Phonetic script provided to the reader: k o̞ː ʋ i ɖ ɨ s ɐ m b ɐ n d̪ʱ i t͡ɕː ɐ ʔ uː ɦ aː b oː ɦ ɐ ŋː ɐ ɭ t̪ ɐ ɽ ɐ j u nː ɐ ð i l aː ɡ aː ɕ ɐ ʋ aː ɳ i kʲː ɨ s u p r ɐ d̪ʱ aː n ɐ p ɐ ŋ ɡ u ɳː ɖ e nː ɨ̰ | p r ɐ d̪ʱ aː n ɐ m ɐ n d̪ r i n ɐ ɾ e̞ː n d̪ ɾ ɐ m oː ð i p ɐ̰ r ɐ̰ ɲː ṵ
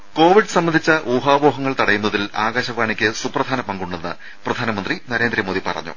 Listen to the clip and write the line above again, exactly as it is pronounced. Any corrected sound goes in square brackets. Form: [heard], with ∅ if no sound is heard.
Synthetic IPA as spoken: k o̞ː ʋ i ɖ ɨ s ɐ m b ɐ n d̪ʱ i t͡ɕː ɐ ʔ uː ɦ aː b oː ɦ ɐ ŋː ɐ ɭ t̪ ɐ ɽ ɐ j u nː ɐ ð i l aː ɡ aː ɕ ɐ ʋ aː ɳ i kʲː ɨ s u p r ɐ d̪ʱ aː n ɐ p ɐ ŋ ɡ u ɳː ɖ e nː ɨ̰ | p r ɐ d̪ʱ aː n ɐ m ɐ n d̪ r i n ɐ ɾ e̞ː n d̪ ɾ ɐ m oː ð i p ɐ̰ r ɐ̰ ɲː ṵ